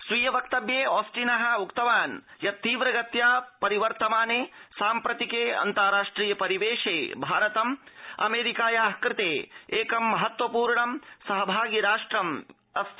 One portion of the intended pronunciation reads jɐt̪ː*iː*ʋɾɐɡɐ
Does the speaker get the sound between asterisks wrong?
no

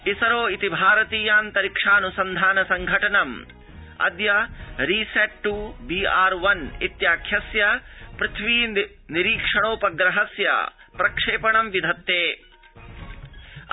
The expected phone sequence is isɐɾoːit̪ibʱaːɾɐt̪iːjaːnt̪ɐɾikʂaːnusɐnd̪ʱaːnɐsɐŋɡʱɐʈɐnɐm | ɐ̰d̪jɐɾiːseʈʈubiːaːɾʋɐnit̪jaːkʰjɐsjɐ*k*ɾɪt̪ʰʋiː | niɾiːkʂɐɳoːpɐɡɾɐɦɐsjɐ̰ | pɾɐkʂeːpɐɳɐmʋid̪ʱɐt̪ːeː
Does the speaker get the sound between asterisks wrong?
yes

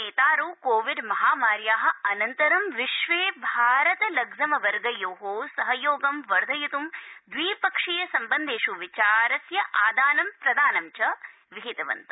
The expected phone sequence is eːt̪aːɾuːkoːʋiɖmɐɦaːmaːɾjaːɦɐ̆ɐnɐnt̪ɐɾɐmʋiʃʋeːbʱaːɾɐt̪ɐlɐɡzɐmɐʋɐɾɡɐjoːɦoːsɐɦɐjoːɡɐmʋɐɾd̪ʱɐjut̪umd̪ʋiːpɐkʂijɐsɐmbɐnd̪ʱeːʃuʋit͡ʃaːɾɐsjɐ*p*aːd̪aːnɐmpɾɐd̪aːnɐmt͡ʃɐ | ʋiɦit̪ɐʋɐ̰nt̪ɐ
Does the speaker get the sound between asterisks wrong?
yes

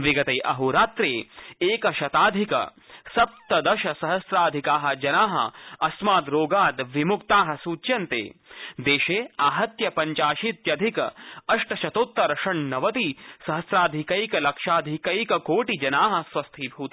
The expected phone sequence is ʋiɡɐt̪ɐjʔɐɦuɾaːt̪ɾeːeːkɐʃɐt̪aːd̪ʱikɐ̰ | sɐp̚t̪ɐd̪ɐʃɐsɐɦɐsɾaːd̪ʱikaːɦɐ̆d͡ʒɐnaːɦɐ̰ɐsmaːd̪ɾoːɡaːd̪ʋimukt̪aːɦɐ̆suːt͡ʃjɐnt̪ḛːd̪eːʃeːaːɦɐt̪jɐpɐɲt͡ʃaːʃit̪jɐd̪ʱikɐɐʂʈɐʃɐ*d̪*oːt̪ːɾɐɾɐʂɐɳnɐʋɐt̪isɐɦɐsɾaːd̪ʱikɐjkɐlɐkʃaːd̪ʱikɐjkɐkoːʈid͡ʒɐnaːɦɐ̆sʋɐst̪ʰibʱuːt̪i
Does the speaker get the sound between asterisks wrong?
yes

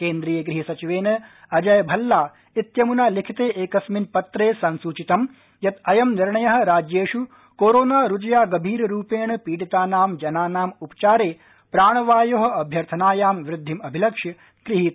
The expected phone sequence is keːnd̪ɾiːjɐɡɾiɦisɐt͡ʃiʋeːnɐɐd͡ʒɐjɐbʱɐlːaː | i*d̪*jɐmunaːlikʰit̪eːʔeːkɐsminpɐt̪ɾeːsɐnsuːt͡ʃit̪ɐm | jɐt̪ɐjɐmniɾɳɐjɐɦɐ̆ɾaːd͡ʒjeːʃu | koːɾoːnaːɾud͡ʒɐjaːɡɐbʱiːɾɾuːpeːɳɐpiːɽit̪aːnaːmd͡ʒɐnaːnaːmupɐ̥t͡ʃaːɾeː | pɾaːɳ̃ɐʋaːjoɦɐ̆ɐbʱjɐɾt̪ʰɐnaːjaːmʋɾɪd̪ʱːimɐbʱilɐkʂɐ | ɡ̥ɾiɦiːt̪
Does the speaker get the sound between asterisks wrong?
yes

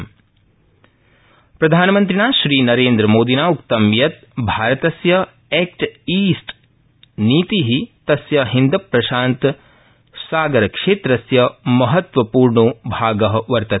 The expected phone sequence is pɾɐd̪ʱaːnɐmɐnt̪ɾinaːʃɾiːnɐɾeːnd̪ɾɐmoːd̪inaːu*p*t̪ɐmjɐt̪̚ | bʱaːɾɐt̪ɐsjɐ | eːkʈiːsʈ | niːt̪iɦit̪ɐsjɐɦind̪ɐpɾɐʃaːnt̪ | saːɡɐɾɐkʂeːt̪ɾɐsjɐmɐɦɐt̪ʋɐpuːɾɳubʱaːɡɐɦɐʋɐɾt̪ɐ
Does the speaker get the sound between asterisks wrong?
yes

